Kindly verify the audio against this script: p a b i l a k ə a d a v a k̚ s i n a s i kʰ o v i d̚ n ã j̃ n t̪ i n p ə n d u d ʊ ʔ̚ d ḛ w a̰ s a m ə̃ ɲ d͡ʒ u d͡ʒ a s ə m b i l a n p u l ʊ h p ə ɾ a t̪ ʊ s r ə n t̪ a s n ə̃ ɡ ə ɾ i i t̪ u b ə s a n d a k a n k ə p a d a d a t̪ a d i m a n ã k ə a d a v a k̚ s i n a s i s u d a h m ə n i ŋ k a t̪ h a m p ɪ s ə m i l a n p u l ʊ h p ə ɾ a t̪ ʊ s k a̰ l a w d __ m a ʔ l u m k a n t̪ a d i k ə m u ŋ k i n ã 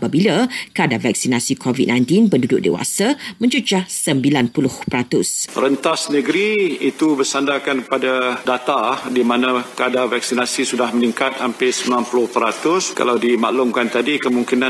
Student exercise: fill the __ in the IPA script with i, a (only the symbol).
i